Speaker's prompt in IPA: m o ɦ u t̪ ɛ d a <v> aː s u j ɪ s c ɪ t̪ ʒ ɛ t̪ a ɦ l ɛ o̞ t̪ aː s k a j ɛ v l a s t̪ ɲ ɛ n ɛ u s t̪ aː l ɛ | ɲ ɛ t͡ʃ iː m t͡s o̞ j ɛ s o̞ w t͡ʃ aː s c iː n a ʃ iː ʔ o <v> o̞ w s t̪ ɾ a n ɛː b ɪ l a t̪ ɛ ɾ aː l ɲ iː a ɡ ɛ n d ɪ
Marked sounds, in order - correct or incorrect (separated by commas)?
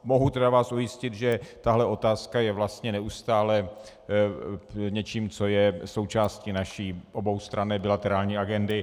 correct, incorrect